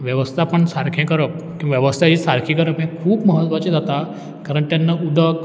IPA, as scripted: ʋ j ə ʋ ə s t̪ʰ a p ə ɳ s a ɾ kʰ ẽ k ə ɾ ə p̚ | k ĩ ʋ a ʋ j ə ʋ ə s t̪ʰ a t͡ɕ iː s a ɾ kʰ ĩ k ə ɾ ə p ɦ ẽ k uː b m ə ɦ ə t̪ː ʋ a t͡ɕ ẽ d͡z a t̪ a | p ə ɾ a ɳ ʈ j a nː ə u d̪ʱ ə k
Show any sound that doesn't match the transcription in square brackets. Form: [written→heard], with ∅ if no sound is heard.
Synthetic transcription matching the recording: ʋ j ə ʋ ə s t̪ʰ a p ə ɳ s a ɾ kʰ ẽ k ə ɾ ə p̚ | k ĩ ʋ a ʋ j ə ʋ ə s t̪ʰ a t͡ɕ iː s a ɾ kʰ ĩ k ə ɾ ə p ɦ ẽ [k→kʰ] uː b m ə ɦ ə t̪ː ʋ a t͡ɕ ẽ d͡z a t̪ a | [p→k] ə ɾ [a→ə] ɳ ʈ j a nː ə u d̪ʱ ə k